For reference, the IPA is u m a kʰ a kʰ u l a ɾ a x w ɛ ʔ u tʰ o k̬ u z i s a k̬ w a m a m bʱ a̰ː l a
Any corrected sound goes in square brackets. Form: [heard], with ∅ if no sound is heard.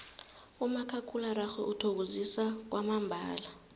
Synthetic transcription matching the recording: u m a kʰ a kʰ u l a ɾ a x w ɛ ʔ u tʰ o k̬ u z i s a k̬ w a m a m bʱ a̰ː l a

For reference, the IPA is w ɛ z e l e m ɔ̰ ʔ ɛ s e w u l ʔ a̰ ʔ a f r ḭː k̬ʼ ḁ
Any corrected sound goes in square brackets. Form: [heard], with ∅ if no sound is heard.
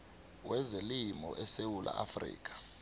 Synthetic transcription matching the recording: w ɛ z e l [i] m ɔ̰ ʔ ɛ s e w u l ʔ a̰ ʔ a f r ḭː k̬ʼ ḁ

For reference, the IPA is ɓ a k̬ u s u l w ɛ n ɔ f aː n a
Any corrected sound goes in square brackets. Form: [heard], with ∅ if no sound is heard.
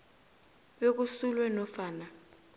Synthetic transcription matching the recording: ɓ [e] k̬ u s u l w ɛ n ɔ f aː n a

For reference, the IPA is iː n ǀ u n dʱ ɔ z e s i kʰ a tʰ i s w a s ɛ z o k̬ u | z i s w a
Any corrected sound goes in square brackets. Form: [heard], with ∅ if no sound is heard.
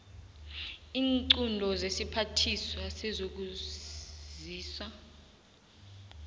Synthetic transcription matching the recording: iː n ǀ u n dʱ ɔ z e s i [pʰ] a tʰ i s w a s ɛ z o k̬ u | z [iː] s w a

